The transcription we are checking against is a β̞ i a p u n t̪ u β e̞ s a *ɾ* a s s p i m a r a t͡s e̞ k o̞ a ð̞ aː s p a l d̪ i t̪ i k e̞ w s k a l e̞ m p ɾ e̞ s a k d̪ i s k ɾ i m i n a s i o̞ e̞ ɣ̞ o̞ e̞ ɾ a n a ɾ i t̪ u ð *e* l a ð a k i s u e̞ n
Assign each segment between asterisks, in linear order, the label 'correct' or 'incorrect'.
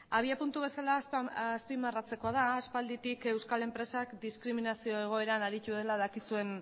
incorrect: l, correct

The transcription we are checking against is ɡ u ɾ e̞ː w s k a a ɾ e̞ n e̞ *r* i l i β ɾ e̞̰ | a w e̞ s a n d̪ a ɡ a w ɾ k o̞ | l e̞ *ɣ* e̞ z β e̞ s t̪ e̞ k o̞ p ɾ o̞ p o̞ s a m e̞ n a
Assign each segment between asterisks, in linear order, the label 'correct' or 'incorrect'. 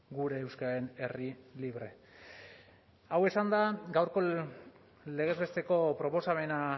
correct, correct

